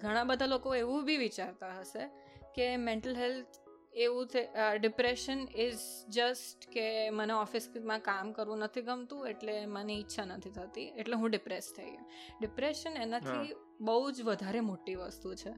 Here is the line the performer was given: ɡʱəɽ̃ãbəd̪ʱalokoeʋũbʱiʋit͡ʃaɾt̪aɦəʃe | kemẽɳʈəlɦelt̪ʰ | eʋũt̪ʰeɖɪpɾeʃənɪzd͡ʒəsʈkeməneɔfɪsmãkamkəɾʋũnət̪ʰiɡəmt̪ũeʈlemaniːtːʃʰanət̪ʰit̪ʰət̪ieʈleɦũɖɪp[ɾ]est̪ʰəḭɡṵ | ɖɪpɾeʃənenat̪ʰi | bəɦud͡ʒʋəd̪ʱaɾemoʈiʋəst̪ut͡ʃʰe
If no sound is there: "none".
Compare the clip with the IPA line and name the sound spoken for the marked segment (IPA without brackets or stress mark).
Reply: ɾ